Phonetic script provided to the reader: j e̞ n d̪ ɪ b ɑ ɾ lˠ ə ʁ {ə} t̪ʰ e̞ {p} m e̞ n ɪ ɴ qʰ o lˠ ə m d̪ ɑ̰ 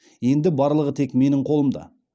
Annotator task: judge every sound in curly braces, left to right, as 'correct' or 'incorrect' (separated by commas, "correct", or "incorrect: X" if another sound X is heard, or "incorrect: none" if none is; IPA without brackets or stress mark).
correct, incorrect: k